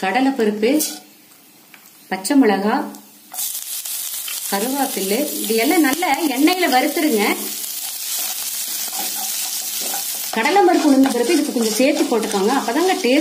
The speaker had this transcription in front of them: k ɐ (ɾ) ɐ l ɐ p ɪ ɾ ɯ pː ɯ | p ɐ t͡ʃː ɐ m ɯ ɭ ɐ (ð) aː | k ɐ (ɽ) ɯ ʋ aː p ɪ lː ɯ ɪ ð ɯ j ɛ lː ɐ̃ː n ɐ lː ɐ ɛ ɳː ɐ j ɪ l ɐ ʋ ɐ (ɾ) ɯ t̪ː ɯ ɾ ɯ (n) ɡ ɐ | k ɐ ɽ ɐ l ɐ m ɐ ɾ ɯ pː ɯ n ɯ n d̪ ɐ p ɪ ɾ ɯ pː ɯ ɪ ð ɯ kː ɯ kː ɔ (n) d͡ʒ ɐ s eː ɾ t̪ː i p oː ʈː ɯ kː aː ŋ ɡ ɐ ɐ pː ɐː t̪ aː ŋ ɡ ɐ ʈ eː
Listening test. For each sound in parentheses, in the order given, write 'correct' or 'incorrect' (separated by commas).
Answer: incorrect, incorrect, incorrect, correct, incorrect, incorrect